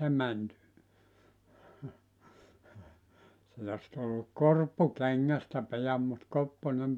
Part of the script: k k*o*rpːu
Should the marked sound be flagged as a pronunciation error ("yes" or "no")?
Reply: no